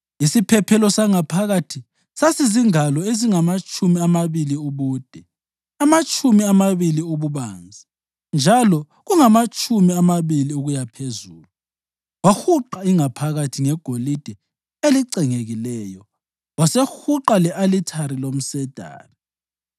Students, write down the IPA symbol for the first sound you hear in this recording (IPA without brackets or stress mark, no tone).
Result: i